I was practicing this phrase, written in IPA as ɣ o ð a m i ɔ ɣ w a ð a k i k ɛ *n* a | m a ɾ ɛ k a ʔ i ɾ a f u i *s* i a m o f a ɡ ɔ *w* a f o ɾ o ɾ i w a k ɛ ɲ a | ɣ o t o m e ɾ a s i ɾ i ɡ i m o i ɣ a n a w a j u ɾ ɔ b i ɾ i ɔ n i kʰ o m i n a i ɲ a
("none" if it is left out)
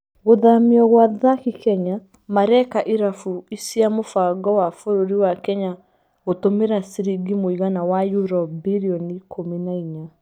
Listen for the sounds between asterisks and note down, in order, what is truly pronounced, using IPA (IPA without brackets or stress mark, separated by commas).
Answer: ɲ, s, w